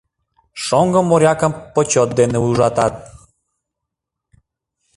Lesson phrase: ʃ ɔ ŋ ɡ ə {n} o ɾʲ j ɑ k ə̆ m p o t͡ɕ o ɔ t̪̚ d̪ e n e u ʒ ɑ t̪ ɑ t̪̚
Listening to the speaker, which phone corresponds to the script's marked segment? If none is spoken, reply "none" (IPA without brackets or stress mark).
m